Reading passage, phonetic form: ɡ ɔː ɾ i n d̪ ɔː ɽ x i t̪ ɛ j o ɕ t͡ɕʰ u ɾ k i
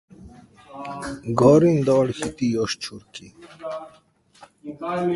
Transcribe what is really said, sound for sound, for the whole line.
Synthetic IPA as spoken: ɡ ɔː ɾ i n d̪ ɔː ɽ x i t̪ i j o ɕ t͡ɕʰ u ɾ k i

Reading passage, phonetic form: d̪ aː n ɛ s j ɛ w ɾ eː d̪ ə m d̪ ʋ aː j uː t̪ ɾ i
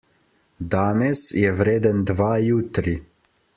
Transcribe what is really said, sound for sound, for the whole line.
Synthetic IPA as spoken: d̪ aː n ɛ s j ɛ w ɾ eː d̪ ə n d̪ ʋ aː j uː t̪ ɾ i

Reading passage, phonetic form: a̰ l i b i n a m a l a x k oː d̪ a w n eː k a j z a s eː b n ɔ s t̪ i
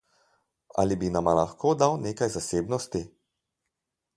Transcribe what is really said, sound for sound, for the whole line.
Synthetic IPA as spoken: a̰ l i b i n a m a l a x k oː d̪ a w n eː k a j z a s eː b n ɔ s t̪ i

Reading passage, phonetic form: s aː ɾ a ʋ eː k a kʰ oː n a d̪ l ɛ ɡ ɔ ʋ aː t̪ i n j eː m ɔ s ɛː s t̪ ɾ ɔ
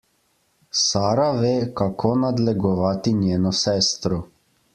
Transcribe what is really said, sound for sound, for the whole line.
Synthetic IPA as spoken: s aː ɾ a ʋ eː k a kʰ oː n a d̪ l ɛ ɡ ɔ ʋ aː t̪ i n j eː n ɔ s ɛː s t̪ ɾ ɔ

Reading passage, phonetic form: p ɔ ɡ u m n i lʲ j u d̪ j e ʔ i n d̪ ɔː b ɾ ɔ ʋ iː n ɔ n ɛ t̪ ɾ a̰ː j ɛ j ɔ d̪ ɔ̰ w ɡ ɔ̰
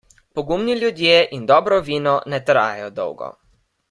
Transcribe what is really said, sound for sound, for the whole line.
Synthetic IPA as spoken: p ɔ ɡ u m n i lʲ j u d̪ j e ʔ i n d̪ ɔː b ɾ ɔ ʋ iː n ɔ n ɛ t̪ ɾ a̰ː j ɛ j ɔ d̪ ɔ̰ w ɡ ɔ̰

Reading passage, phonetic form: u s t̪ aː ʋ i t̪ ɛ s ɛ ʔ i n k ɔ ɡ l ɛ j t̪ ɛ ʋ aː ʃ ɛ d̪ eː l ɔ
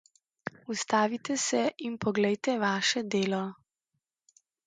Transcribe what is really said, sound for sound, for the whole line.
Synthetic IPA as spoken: u s t̪ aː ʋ i t̪ ɛ s ɛ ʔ i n p ɔ ɡ l ɛ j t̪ ɛ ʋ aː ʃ ɛ d̪ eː l ɔ

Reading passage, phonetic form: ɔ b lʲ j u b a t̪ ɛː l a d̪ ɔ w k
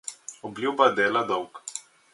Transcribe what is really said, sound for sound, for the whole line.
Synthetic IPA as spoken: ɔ b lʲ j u b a d̪ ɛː l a d̪ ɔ w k

